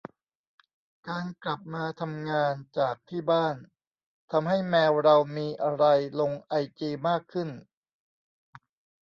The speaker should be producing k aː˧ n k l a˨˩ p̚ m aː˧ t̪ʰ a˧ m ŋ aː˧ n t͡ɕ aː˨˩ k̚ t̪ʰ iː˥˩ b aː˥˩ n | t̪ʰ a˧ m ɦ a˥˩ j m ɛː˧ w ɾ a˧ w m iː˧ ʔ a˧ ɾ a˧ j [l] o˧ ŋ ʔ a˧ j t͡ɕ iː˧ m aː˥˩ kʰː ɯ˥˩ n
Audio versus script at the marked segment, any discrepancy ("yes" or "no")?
no